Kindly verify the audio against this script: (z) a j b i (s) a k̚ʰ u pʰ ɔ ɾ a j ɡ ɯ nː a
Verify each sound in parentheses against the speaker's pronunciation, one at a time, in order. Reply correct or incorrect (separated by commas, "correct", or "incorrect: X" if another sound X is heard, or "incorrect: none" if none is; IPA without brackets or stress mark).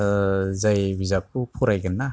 correct, incorrect: z